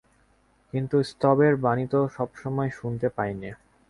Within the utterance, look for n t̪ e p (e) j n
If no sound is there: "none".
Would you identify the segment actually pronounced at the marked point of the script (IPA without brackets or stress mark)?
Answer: a